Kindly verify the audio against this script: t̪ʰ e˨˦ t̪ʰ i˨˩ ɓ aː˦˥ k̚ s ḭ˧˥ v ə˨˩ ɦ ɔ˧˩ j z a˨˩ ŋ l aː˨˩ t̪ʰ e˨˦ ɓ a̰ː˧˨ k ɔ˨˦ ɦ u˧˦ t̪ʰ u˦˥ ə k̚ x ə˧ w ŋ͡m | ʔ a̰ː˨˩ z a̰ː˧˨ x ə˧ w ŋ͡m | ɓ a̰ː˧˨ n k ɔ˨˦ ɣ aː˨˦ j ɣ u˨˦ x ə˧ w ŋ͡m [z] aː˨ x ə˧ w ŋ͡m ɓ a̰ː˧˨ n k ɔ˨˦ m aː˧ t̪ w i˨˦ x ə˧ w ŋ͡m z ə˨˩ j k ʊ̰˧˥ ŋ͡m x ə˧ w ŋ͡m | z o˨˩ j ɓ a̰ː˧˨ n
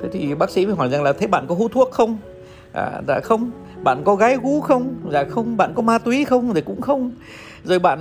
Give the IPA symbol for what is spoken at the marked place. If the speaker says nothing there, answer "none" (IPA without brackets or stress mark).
z